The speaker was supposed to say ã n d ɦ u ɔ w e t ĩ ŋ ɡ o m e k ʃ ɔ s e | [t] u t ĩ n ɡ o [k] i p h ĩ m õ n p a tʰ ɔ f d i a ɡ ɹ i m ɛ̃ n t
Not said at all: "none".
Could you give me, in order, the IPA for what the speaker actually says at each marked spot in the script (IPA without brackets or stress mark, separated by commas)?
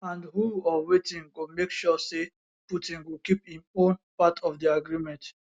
p, k